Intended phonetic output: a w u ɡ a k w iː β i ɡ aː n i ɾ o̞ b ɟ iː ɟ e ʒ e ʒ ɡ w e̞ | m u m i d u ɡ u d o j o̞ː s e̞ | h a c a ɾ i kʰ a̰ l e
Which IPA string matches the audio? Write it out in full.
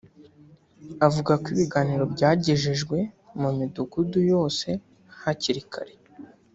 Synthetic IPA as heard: a v u ɡ a k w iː β i ɡ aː n i ɾ o̞ b ɟ aː ɟ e ʒ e ʒ ɡ w e̞ | m u m i d u ɡ u d u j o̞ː s e̞ | h a c i ɾ i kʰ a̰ ɾ e